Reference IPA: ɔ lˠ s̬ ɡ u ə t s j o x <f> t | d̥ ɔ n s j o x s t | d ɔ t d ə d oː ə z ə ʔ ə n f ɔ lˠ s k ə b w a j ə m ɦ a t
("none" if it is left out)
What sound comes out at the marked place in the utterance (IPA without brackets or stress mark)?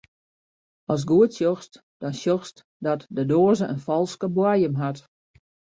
s